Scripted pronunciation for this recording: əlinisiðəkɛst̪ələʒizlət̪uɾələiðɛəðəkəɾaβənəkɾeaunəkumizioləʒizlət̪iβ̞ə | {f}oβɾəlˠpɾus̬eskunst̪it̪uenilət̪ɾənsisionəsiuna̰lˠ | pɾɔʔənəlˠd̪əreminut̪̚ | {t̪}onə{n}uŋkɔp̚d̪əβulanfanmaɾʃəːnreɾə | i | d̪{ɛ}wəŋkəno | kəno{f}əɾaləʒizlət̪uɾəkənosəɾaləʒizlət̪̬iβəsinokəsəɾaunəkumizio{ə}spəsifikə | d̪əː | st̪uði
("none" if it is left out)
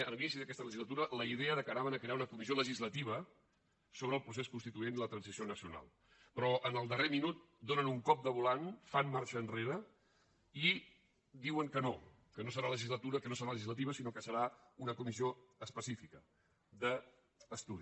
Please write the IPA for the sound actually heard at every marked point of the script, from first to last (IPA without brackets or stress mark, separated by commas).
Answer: s, d̪, n, i, s, ə